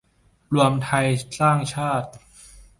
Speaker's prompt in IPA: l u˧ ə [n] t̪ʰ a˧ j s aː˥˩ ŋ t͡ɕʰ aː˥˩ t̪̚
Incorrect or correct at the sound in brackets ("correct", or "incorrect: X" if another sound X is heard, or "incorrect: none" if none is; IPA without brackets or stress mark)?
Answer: incorrect: m